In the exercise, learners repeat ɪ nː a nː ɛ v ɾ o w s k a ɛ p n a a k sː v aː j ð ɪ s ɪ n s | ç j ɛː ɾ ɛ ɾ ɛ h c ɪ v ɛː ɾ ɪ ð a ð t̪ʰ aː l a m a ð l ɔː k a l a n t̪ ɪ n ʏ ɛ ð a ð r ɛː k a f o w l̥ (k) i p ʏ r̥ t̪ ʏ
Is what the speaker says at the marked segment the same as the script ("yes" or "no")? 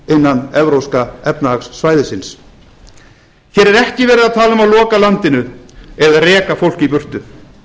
no